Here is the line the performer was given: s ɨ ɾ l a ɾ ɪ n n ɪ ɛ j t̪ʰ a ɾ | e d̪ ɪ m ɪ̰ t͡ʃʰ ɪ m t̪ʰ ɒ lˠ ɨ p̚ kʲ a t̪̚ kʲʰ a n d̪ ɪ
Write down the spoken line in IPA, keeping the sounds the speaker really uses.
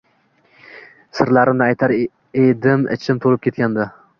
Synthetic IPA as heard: s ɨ ɾ l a ɾ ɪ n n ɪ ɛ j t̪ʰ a ɾ | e d̪ ɪ m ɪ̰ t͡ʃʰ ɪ m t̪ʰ o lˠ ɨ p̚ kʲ e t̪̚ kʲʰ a n d̪ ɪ